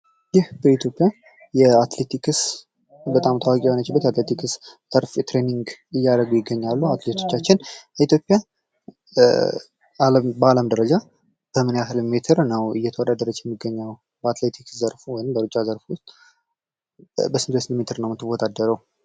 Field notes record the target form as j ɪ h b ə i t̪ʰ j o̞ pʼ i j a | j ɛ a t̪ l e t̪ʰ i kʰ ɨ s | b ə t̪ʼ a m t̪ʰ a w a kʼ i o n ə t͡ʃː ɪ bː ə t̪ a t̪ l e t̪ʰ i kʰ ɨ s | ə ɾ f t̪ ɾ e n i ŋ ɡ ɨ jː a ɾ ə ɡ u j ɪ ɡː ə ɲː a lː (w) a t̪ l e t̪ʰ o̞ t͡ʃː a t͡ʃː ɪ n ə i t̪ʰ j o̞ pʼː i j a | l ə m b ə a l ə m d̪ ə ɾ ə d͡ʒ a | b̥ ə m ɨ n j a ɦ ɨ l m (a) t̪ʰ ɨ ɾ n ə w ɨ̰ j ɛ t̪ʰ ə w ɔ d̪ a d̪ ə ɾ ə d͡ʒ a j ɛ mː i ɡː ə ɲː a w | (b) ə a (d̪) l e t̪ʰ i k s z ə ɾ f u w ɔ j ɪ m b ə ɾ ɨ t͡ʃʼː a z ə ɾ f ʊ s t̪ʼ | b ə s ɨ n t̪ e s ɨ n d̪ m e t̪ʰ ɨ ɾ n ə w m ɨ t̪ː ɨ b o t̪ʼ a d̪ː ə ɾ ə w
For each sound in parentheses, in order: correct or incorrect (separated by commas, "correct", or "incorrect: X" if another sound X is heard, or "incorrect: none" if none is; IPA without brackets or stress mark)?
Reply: incorrect: u, incorrect: e, correct, incorrect: t̪